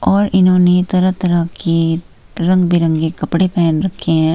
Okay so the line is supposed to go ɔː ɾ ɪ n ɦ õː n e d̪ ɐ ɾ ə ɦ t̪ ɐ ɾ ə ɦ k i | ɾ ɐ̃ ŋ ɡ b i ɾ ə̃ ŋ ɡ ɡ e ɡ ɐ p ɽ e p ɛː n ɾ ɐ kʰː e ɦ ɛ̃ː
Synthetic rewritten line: ɔː ɾ ɪ n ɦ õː n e t̪ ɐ ɾ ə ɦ t̪ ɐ ɾ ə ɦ k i | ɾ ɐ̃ ŋ ɡ b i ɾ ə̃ ŋ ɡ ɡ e k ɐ p ɽ e p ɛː n ɾ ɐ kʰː e ɦ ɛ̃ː

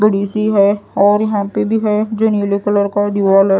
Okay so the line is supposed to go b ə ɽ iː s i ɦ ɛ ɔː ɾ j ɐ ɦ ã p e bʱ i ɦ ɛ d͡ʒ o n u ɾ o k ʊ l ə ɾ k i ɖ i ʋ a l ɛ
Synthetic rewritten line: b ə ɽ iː s i ɦ ɛ ɔː ɾ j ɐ ɦ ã p e bʱ i ɦ ɛ d͡ʒ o n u l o k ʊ l ə ɾ k a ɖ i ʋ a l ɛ

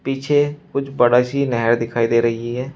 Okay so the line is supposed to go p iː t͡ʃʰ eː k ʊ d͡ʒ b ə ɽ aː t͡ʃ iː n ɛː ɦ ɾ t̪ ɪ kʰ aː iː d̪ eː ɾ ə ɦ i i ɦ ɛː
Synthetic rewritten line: p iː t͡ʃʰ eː k ʊ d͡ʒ b ə ɽ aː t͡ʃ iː n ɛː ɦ ɾ d̪ ɪ kʰ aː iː d̪ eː ɾ ə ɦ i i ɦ ɛː

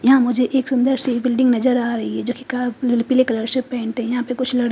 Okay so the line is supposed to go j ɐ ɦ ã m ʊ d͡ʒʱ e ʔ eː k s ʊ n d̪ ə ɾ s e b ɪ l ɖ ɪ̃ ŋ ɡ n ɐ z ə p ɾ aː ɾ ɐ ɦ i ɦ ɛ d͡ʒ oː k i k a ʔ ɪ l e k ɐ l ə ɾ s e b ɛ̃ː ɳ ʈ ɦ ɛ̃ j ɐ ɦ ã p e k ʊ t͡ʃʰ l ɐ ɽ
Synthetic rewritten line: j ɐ ɦ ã m ʊ d͡ʒʱ e ʔ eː k s ʊ n d̪ ə ɾ s e b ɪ l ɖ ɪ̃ ŋ ɡ n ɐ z ə ɾ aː ɾ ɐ ɦ i ɦ ɛ d͡ʒ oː k i k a p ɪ l e k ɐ l ə ɾ s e p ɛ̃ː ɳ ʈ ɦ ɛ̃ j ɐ ɦ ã p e k ʊ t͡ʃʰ l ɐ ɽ

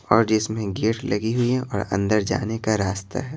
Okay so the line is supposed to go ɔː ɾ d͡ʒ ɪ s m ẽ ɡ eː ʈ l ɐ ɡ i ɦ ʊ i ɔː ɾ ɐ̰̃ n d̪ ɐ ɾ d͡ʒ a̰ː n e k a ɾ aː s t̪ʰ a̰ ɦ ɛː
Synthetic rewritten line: ɔː ɾ d͡ʒ ɪ s m ẽ ɡ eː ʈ l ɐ ɡ i ɦ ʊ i ɔː ɾ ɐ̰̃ n d̪ ə ɾ d͡ʒ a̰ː n e k a ɾ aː s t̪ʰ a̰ ɦ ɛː

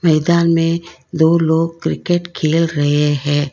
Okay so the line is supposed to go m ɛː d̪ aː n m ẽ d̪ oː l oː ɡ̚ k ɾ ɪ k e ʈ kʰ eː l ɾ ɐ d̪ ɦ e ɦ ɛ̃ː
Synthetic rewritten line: m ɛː d̪ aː n m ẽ d̪ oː l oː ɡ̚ k ɾ ɪ k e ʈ kʰ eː l ɾ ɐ ɦ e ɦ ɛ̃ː

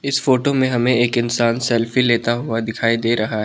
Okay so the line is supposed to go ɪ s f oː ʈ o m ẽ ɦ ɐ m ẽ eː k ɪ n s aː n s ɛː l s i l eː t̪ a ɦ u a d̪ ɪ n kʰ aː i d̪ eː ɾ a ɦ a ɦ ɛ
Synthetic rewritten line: ɪ s f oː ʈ o m ẽ ɦ ɐ m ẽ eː k ɪ n s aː n s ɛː l f i l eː t̪ a ɦ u a d̪ ɪ kʰ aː i d̪ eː ɾ ɐ ɦ a ɦ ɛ

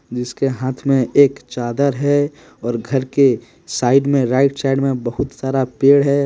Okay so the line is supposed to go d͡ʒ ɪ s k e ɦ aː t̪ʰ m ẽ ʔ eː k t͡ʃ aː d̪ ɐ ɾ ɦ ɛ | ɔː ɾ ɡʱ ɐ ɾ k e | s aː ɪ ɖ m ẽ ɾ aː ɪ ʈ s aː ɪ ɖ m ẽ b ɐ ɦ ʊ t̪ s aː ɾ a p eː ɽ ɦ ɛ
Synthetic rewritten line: d͡ʒ ɪ s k e ɦ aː t̪ʰ m ẽ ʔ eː k t͡ʃ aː d̪ ə ɾ ɦ ɛ | ɔː ɾ ɡʱ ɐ ɾ k e | s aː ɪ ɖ m ẽ ɾ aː ɪ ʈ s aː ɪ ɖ m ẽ b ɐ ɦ ʊ t̪ s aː ɾ a p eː ɽ ɦ ɛ

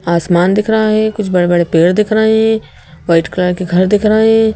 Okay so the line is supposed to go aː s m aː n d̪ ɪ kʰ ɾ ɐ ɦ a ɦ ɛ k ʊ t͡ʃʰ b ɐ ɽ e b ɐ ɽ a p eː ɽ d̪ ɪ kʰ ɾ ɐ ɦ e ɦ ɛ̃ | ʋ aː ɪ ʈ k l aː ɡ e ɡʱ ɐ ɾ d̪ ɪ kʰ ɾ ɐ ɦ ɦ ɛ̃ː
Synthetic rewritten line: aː s m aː n d̪ ɪ kʰ ɾ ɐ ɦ a ɦ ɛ k ʊ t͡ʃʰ b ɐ ɽ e b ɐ ɽ e p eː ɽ d̪ ɪ kʰ ɾ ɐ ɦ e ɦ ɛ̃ | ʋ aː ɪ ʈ k l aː k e ɡʱ ɐ ɾ d̪ ɪ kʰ ɾ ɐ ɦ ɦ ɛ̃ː

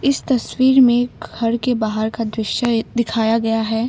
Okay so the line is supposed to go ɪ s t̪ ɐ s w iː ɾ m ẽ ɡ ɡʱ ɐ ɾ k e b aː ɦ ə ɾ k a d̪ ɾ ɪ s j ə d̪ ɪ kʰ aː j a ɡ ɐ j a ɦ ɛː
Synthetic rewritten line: ɪ s t̪ ɐ s w iː ɾ m ẽ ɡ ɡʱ ɐ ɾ k e b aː ɦ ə ɾ k a d̪ ɾ ɪ ʃ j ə d̪ ɪ kʰ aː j a ɡ ɐ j a ɦ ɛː

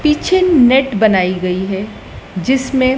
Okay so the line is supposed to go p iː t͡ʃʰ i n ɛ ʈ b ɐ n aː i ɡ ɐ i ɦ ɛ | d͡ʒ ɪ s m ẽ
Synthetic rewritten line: p iː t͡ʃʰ e n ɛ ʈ b ɐ n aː i ɡ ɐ i ɦ ɛ | d͡ʒ ɪ s m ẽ

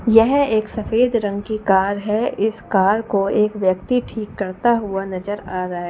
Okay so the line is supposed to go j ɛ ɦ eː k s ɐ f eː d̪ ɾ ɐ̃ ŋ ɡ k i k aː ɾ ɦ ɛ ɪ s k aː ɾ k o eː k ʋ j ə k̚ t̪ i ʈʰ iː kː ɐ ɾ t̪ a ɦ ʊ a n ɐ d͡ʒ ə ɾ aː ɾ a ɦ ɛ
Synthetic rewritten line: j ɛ ɦ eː k s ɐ f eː d̪ ɾ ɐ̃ ŋ ɡ k i k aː ɾ ɦ ɛ ɪ s k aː ɾ k o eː k ʋ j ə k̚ t̪ i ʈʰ iː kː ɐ ɾ t̪ a ɦ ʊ a n ɐ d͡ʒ ə ɾ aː ɾ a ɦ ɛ

